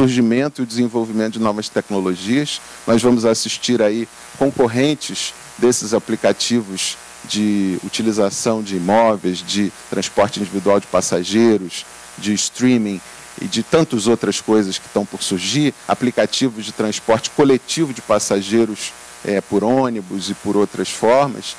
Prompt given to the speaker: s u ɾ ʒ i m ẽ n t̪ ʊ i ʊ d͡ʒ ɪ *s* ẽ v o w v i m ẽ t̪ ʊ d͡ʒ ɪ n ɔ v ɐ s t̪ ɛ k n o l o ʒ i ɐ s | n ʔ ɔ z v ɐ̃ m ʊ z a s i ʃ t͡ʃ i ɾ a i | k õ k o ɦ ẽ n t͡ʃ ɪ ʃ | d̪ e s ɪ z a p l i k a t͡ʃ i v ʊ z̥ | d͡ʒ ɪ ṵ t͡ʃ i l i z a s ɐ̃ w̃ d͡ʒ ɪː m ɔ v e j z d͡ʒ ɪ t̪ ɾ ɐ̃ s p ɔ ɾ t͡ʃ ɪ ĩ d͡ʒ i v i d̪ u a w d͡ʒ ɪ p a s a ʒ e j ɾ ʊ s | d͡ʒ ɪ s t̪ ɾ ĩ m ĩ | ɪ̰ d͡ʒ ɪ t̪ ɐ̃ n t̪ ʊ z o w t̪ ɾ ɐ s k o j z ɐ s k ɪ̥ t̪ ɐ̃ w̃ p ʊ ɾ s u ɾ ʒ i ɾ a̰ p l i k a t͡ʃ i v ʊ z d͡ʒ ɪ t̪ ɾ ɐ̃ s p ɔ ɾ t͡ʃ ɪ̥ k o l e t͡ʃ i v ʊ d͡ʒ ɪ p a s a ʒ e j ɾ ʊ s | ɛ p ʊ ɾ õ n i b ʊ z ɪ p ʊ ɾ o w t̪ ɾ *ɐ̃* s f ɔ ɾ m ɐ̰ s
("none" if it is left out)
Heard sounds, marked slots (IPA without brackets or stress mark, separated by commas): z, ɐ